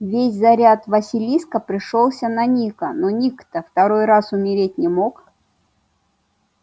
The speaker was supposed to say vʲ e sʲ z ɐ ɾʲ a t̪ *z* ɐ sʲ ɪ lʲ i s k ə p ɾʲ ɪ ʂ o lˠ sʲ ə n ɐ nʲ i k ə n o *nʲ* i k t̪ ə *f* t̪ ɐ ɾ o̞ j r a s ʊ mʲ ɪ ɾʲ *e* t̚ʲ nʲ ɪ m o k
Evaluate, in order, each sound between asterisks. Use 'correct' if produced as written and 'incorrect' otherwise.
incorrect: v, correct, correct, correct

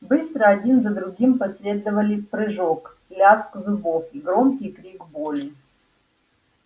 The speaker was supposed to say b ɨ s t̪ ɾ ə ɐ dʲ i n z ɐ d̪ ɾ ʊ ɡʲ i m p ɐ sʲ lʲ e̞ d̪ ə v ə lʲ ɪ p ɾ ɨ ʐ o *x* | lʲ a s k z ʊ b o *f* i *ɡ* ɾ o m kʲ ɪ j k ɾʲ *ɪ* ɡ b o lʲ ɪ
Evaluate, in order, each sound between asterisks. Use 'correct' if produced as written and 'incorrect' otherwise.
incorrect: k, correct, correct, incorrect: i

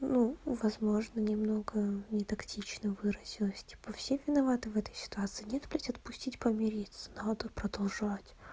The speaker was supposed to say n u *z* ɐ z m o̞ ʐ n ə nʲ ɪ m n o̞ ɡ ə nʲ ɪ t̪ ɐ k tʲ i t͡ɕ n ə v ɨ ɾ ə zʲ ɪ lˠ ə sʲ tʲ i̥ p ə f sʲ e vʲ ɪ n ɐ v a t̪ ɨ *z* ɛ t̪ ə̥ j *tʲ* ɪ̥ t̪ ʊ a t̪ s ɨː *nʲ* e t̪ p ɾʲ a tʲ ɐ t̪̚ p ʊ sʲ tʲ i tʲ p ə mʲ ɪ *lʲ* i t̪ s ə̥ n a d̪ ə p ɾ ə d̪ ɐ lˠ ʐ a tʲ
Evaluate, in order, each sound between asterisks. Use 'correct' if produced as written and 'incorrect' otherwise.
incorrect: v, incorrect: v, incorrect: sʲ, correct, incorrect: ɾʲ

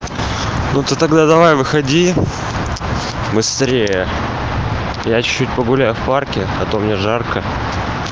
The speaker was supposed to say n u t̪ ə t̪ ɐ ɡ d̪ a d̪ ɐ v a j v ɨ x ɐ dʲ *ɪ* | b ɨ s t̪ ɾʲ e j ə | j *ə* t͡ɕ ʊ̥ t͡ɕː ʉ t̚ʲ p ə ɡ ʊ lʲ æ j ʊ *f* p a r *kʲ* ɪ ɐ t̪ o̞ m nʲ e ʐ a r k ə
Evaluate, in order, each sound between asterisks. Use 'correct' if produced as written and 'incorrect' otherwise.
incorrect: i, incorrect: a, correct, correct

